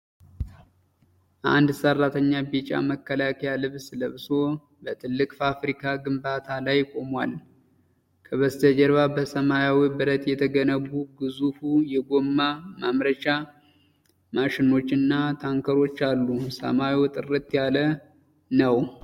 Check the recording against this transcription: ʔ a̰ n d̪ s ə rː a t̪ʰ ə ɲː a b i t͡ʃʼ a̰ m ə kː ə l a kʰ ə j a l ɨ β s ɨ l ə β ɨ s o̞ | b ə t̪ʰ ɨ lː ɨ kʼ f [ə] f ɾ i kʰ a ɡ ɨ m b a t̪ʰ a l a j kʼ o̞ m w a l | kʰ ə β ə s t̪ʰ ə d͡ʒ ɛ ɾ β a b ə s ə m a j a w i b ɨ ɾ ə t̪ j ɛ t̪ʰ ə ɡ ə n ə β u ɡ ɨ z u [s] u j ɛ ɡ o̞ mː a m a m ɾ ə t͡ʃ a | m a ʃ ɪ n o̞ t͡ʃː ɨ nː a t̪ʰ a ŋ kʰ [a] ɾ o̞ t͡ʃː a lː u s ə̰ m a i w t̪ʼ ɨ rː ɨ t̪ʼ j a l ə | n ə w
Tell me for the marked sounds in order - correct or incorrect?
incorrect: a, incorrect: f, incorrect: ə

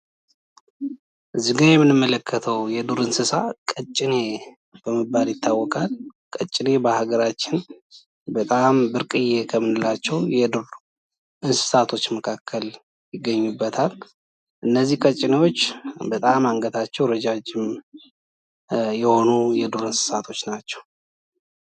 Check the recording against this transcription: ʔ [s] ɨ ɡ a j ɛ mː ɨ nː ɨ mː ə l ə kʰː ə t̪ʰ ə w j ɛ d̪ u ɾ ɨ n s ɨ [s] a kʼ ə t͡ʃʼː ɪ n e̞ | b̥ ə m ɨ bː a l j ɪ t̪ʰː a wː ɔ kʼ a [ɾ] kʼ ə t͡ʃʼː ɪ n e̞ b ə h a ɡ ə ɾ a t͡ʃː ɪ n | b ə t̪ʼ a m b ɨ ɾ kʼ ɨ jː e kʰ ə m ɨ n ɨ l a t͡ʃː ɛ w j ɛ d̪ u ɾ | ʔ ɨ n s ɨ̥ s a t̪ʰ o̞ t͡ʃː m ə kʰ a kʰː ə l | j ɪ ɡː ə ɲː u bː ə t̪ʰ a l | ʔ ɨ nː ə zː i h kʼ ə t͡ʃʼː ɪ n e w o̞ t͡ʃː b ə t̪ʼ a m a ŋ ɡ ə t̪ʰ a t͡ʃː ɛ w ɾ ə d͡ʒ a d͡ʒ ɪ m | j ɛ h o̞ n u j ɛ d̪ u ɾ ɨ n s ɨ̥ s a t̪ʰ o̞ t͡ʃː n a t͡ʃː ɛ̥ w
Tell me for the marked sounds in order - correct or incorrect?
incorrect: z, correct, incorrect: l

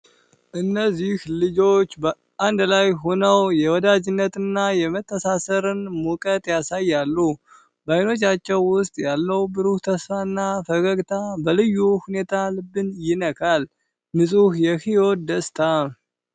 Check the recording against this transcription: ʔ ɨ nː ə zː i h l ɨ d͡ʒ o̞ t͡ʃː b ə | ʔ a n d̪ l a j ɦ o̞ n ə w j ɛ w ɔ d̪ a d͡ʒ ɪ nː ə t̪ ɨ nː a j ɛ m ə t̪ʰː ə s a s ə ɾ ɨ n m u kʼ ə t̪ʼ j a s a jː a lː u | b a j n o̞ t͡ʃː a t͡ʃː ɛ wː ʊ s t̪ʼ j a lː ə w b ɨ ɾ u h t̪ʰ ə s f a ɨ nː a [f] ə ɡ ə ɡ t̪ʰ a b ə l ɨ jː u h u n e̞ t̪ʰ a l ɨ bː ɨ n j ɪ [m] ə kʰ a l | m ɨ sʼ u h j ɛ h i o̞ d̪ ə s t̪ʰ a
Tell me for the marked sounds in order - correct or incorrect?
correct, incorrect: n

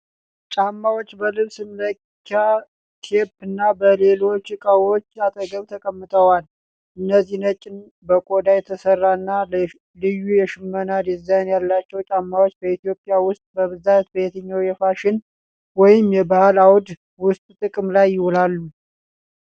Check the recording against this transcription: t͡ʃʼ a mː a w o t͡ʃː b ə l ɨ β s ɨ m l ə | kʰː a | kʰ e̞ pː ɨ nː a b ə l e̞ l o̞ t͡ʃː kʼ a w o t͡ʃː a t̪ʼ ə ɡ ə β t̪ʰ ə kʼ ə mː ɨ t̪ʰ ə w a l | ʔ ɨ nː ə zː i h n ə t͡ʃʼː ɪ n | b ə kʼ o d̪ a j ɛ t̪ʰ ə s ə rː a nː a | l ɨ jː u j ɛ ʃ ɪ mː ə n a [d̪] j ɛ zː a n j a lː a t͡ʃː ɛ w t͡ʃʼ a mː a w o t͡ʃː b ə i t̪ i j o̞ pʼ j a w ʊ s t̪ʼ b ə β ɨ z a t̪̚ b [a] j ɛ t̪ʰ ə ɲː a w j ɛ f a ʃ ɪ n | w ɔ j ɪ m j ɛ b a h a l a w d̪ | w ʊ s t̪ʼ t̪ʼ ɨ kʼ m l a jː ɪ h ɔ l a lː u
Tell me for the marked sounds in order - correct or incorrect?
correct, incorrect: ə

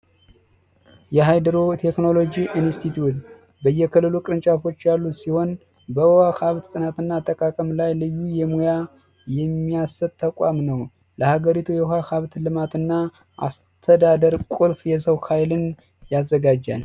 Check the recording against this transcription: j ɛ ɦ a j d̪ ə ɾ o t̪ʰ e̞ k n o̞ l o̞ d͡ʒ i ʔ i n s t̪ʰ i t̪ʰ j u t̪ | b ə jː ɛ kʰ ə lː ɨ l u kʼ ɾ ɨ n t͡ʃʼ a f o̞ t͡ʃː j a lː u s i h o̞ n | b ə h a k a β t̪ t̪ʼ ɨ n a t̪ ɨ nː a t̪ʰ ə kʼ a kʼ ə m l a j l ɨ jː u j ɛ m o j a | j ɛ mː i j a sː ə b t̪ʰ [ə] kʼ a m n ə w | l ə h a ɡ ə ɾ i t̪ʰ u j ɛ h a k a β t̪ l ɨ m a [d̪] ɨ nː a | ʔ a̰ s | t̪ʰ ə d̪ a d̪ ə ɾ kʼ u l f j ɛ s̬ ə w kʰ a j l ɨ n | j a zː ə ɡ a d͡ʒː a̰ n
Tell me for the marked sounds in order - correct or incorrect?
correct, incorrect: t̪

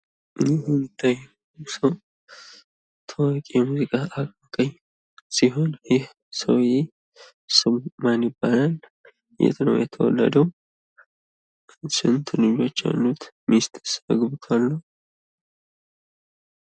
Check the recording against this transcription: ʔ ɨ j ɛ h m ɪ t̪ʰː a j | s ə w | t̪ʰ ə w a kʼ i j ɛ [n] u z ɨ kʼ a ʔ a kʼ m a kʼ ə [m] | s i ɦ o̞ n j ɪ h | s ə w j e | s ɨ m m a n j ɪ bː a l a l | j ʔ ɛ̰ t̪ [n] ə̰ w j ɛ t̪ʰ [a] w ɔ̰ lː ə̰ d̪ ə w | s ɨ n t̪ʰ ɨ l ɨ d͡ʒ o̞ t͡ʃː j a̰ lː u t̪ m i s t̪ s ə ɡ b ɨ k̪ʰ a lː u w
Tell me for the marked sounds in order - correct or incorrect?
incorrect: m, incorrect: ɲ, correct, incorrect: ə

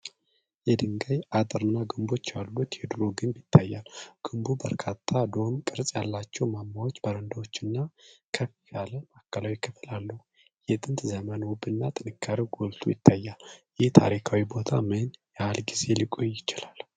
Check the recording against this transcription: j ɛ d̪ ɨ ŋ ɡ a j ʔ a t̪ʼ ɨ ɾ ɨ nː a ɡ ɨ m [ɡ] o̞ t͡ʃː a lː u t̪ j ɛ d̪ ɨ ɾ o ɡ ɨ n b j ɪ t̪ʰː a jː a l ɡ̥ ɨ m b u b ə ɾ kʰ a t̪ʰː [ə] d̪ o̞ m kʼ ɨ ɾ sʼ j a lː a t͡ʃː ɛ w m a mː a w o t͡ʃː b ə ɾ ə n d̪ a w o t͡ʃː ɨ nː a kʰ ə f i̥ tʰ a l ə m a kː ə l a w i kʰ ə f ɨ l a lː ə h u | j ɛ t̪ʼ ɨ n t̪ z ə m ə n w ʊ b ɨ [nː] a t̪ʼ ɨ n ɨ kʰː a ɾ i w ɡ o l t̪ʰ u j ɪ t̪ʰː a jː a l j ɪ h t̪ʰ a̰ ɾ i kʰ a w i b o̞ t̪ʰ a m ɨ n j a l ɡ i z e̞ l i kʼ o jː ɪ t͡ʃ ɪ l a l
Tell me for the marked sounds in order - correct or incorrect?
incorrect: b, incorrect: a, correct

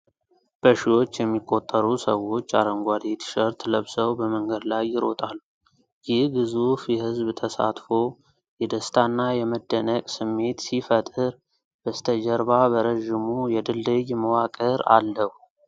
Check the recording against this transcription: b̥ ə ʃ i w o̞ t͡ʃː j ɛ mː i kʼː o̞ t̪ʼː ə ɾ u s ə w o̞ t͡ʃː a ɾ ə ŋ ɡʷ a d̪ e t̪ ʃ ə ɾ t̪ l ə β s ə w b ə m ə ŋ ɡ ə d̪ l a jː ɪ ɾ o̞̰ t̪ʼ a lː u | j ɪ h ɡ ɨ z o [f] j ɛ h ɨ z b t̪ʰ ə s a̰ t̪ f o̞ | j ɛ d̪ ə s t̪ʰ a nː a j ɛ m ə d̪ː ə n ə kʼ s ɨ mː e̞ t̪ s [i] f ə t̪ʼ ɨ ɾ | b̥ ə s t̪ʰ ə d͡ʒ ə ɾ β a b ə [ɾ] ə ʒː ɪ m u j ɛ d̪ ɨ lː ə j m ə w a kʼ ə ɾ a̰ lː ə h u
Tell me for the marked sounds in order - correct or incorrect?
correct, correct, correct

